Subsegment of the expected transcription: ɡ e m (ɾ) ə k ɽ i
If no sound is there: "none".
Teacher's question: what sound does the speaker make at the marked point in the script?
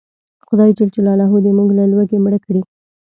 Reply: ɽ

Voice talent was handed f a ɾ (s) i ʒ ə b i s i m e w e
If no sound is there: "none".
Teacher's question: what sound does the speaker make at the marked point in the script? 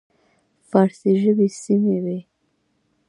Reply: s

